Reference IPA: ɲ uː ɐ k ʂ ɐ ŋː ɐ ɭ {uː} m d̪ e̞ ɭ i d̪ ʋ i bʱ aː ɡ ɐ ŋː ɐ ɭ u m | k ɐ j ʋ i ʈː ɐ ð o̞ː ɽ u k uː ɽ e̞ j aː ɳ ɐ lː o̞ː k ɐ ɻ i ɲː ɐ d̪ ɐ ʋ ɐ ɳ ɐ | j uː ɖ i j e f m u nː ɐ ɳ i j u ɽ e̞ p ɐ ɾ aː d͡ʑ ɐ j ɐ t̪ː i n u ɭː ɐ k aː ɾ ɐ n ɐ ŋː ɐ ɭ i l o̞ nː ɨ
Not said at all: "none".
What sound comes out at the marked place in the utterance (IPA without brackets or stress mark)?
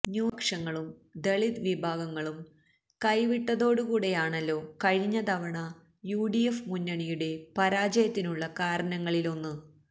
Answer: u